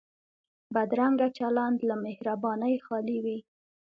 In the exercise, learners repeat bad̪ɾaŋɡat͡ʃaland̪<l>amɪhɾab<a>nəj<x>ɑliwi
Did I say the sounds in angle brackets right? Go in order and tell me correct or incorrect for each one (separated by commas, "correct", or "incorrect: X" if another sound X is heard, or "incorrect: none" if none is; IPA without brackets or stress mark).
correct, incorrect: ɑ, correct